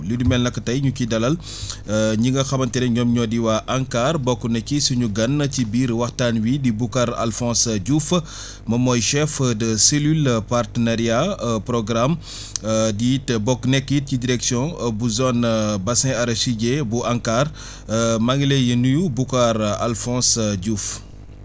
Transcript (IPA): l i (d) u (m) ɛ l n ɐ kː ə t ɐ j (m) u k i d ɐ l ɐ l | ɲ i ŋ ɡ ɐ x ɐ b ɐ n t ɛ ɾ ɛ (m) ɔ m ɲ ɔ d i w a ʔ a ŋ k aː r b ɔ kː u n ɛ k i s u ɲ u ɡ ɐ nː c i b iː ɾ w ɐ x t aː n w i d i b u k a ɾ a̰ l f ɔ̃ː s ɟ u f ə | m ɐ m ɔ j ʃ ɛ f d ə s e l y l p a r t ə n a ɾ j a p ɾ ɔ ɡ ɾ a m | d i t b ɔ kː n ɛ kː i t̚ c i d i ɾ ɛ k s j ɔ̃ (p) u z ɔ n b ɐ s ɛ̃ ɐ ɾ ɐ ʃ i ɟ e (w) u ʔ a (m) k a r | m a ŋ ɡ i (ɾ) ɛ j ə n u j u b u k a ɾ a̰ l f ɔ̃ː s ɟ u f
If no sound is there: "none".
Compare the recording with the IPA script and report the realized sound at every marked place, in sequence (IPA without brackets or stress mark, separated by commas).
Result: d, m, ɲ, ɲ, b, b, ŋ, l